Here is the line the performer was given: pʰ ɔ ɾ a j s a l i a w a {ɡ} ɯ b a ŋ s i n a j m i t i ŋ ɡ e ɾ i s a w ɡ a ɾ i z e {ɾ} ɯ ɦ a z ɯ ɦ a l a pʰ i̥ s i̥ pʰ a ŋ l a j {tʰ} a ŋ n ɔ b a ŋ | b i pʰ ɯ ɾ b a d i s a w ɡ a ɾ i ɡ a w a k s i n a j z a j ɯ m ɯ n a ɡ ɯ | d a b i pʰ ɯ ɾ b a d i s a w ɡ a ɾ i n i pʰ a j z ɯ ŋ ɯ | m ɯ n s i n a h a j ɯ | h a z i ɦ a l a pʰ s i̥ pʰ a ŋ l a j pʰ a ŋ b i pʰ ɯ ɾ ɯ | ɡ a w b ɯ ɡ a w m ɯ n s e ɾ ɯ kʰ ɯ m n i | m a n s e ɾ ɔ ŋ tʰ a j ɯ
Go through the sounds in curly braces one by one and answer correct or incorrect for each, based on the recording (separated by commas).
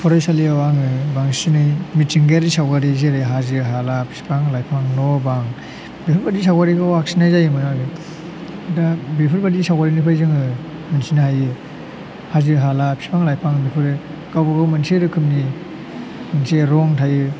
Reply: incorrect, correct, incorrect